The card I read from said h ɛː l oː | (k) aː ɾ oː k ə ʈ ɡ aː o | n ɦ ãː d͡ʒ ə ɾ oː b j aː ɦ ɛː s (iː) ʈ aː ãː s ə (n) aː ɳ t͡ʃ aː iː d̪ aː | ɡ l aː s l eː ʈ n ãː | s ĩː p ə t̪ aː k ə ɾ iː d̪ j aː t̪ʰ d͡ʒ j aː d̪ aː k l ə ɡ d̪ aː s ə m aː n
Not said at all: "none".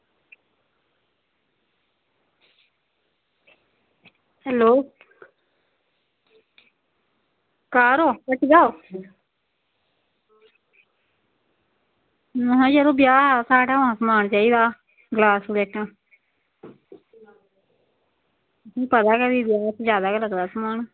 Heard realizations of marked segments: k, aː, m

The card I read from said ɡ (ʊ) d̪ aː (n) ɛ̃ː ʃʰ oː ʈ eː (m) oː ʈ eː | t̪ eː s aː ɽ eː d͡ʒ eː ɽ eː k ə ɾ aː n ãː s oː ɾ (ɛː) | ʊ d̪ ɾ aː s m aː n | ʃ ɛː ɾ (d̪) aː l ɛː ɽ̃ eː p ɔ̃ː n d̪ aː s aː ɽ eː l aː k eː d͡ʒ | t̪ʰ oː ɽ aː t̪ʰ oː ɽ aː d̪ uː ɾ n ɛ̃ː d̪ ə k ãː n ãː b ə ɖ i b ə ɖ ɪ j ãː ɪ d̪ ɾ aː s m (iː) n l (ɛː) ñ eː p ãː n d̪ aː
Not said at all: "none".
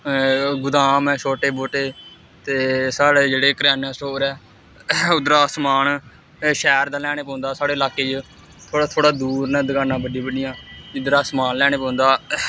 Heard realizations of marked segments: ʊ, m, b, ɛː, d̪, aː, ɛː

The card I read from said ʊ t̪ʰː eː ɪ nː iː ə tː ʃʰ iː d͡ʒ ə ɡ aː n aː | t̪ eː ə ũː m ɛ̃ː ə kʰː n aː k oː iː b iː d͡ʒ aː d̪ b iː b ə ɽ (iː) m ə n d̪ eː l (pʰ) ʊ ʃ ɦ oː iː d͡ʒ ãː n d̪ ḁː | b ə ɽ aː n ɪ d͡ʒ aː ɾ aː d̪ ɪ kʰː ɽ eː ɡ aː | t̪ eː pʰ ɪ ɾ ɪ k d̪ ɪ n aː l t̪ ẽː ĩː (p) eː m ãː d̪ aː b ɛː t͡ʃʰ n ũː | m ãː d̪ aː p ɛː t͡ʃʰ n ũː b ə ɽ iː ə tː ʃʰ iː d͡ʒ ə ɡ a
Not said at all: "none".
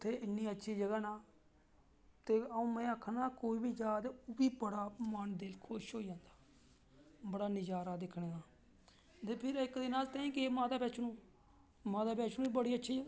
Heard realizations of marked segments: aː, kʰ, k

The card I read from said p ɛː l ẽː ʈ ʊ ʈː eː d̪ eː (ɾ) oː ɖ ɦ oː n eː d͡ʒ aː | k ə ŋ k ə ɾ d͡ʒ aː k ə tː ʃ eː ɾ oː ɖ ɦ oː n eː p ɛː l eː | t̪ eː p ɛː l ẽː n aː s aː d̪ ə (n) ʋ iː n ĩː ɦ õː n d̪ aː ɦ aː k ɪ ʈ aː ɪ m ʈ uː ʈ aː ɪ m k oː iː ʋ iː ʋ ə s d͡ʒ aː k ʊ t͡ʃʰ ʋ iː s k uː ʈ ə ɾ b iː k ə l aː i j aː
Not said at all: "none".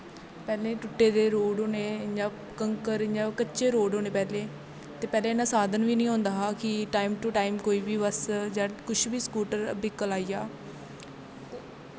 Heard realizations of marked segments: ɾ, n

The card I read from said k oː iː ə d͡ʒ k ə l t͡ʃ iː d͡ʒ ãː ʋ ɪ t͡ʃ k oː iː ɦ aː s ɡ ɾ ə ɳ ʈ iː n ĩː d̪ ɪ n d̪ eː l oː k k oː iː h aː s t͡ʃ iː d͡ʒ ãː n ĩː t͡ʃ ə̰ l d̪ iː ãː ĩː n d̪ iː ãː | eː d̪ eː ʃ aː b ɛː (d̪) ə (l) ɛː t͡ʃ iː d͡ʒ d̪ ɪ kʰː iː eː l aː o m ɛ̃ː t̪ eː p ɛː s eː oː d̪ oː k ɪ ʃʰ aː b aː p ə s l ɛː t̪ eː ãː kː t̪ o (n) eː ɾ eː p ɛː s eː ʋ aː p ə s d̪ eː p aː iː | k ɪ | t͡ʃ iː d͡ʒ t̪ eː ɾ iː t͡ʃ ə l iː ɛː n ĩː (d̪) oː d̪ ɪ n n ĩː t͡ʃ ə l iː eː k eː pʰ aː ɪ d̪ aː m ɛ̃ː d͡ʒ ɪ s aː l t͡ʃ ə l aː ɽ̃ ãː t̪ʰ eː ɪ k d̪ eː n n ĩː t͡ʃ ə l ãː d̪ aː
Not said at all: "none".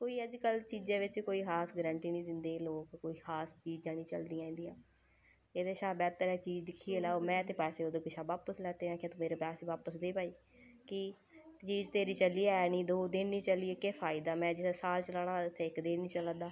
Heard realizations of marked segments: t̪, ɾ, m, d̪

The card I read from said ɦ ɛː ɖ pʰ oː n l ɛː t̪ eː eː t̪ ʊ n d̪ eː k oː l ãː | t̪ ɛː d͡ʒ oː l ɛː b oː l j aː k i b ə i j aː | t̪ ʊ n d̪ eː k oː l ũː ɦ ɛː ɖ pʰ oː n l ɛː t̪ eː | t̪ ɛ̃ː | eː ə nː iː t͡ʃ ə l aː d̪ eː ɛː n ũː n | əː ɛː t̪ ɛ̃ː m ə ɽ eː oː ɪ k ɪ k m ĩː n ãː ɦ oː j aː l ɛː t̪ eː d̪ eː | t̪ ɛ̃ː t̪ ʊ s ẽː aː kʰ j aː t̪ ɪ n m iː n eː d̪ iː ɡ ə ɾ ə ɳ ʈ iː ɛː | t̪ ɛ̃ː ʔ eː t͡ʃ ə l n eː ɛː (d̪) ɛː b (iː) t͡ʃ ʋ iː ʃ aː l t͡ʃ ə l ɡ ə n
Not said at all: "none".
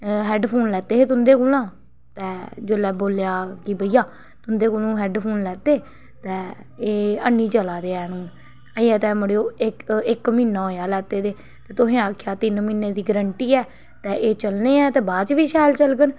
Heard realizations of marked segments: t̪, aː

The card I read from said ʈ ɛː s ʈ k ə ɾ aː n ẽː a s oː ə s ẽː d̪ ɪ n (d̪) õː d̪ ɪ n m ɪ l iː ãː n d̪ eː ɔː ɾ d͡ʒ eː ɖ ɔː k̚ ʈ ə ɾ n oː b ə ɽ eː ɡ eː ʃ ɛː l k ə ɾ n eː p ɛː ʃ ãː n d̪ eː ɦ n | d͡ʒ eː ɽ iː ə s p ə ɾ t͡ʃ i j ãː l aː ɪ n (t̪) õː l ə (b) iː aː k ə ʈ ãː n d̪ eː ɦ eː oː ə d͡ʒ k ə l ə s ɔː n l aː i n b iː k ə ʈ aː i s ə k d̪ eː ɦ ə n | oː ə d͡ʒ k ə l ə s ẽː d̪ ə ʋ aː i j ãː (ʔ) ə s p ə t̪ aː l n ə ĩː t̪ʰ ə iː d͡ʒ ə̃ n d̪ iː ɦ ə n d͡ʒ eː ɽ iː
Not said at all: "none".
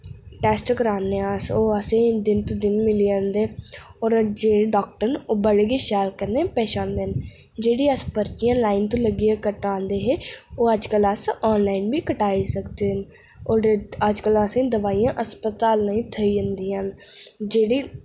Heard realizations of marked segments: t̪, t̪, ɡ, ʔ

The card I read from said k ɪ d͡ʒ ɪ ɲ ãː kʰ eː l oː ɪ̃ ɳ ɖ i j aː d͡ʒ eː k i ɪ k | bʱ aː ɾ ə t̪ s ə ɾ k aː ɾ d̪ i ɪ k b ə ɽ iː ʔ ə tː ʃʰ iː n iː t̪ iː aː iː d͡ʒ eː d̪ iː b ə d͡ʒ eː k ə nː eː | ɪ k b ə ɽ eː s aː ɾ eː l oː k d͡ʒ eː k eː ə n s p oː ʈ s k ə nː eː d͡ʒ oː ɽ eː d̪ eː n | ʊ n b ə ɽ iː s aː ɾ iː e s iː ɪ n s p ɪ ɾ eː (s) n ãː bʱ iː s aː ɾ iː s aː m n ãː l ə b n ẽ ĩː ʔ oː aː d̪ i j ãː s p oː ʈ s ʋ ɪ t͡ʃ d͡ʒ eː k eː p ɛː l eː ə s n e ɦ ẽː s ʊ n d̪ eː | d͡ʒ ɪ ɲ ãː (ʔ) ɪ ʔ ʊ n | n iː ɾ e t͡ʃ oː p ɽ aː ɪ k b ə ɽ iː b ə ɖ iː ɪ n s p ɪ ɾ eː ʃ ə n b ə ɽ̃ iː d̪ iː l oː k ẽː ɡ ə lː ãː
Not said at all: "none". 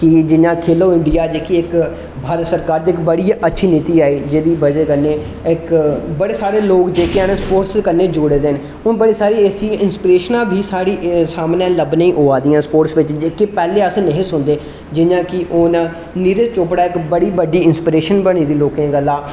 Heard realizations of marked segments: ʃ, k

